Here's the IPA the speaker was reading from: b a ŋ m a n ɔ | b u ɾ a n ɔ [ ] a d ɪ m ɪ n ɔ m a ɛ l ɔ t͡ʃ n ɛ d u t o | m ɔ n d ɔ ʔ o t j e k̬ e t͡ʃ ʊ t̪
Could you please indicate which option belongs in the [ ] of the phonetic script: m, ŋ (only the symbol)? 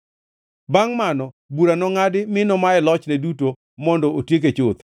ŋ